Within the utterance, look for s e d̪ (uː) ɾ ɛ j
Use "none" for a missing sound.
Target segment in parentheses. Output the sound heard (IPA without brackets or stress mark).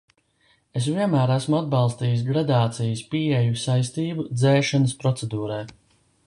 uː